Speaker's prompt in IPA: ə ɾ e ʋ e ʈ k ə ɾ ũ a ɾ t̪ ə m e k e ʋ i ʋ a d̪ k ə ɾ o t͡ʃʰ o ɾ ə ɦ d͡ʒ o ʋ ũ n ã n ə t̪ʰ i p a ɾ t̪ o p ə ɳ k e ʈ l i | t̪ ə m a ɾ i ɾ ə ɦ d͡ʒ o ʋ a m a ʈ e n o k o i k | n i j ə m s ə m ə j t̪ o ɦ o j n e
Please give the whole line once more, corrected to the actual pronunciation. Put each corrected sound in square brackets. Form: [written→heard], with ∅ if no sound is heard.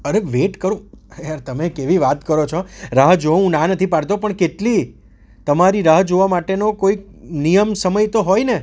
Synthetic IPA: ə ɾ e ʋ e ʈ k ə ɾ ũ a ɾ t̪ ə m e k e ʋ i ʋ a [d̪→t̪] k ə ɾ o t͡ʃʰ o ɾ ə ɦ d͡ʒ o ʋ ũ n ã n ə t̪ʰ i p a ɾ t̪ o p ə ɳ k e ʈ l i | t̪ ə m a ɾ i ɾ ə ɦ d͡ʒ o ʋ a m a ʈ e n o k o i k | n i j ə m s ə m ə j t̪ o ɦ o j n e